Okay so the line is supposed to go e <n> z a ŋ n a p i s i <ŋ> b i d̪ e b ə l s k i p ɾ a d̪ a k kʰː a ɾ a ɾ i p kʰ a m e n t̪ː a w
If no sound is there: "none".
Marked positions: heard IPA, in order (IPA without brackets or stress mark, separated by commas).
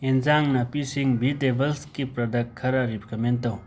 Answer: n, ŋ